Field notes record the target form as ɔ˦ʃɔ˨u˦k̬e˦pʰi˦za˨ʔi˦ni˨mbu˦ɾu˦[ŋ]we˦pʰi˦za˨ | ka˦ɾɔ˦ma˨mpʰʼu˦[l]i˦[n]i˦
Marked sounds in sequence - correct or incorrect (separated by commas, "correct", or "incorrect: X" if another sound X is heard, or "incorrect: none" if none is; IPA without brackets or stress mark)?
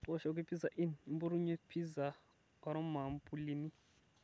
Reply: incorrect: ɲ, correct, correct